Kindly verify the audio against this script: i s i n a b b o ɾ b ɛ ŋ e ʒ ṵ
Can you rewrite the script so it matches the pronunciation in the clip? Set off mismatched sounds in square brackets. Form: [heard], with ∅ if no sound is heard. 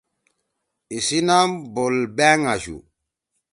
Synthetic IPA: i s i n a [m] b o [l] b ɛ ŋ [a] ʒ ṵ